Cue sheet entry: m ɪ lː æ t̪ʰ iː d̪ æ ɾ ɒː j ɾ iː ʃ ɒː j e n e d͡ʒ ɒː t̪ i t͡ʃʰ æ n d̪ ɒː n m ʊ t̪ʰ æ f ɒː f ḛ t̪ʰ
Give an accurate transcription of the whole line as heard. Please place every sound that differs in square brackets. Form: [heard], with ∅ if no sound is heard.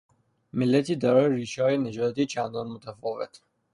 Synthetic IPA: m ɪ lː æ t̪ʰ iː d̪ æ ɾ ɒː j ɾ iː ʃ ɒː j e n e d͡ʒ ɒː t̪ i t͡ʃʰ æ n d̪ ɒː n m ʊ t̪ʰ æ f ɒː [v] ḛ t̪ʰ